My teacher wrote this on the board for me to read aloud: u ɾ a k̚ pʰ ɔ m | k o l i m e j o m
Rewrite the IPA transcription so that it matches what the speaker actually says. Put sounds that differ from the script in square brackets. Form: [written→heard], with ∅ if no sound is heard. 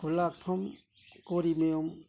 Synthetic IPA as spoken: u [ɾ→l] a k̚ pʰ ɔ m | k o [l→ɾ] i m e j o m

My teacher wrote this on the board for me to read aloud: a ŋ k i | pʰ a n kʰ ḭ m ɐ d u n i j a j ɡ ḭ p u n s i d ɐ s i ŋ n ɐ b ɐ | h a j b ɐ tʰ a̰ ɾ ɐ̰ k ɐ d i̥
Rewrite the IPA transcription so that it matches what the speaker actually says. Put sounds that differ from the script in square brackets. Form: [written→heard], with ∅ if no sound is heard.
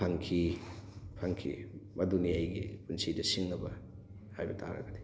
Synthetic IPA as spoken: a ŋ [k→kʰ] i | pʰ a [n→ŋ] kʰ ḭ m ɐ d u n i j a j ɡ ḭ p u n s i d ɐ s i ŋ n ɐ b ɐ | h a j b ɐ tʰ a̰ ɾ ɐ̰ [k→ɡ] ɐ d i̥

